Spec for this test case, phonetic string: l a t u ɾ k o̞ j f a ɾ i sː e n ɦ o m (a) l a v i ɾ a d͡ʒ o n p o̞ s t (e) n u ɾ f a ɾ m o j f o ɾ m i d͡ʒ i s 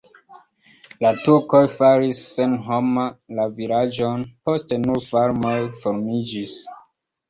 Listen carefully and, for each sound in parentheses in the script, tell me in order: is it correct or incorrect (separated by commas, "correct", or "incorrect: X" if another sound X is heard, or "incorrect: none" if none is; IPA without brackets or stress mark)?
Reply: correct, correct